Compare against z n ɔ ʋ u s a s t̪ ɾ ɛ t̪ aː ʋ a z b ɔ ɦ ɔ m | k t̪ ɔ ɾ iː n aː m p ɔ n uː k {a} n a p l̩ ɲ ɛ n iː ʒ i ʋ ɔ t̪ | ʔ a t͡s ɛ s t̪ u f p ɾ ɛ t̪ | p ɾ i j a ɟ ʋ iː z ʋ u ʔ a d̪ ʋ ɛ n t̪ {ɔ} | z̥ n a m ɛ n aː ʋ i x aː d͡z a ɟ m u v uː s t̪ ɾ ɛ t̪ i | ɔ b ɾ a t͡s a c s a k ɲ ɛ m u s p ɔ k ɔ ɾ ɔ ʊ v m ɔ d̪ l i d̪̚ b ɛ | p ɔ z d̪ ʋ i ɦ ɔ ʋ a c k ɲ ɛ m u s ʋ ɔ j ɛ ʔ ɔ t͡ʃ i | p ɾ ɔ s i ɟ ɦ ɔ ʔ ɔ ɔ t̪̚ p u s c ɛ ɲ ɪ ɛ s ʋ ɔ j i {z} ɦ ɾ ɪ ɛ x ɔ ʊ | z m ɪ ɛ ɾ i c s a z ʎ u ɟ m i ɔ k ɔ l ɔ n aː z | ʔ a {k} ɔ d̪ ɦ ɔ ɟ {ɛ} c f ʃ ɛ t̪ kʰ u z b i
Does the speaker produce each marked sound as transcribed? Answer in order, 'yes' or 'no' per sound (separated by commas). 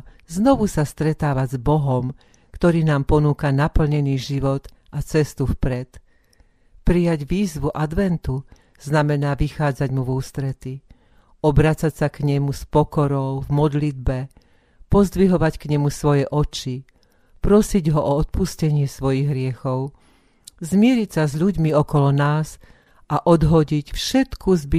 yes, no, no, no, no